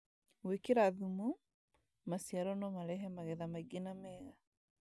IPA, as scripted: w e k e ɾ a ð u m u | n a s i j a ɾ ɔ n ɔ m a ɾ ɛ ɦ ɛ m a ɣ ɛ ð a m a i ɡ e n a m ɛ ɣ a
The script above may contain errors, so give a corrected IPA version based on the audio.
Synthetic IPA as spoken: w e k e ɾ a ð u m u | m a s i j a ɾ ɔ n ɔ m a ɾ ɛ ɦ ɛ m a ɣ ɛ ð a m a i ɡ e n a m ɛ ɣ a